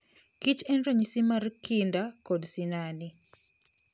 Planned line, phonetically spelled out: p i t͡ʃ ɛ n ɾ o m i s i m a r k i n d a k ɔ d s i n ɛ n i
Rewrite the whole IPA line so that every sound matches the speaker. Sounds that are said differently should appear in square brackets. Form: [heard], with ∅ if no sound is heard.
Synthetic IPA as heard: [k] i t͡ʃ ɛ n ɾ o [ɲ] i s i m a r k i n d a k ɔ d s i n [a] n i